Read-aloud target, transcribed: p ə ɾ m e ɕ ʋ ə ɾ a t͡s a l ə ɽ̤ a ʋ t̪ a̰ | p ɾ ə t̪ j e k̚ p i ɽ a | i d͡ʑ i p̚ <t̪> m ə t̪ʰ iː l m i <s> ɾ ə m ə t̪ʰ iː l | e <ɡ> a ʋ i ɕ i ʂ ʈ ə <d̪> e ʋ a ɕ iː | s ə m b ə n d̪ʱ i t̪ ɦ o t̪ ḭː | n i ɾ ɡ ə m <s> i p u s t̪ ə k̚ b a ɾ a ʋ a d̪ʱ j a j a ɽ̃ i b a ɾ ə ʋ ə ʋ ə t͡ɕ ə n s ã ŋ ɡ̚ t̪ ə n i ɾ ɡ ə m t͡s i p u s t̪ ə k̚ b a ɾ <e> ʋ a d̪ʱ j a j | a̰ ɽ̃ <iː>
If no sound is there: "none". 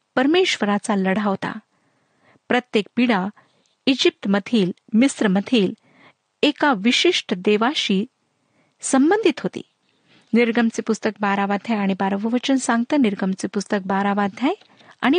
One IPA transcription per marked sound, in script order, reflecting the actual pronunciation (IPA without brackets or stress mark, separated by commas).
t̪, s, k, d̪, t͡s, a, i